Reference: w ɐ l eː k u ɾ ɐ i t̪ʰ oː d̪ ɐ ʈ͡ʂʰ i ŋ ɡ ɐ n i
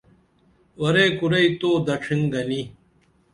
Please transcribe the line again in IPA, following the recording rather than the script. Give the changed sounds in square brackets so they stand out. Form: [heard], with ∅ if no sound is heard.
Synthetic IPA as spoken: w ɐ [ɾ] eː k u ɾ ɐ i [t̪] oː d̪ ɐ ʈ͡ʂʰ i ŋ ɡ ɐ n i